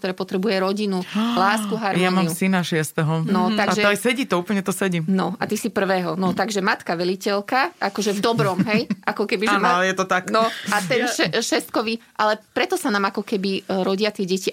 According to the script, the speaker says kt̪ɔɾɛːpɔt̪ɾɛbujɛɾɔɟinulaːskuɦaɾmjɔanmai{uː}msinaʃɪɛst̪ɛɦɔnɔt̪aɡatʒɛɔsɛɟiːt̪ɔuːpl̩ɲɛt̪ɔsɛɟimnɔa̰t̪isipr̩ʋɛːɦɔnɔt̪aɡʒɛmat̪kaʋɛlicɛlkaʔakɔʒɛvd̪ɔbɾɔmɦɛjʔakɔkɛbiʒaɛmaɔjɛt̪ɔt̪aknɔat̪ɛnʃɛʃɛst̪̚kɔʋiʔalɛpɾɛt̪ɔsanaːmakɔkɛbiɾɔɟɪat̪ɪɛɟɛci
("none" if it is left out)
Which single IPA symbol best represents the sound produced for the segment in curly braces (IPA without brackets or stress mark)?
u